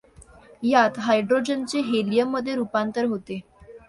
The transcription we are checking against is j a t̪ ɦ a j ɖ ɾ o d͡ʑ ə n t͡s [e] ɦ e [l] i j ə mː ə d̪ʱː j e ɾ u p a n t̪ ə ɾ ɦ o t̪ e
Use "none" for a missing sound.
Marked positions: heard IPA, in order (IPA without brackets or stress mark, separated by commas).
e, l